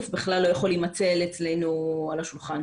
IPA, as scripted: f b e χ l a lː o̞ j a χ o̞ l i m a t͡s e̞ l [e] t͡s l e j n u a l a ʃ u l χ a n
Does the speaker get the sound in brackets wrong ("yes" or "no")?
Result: no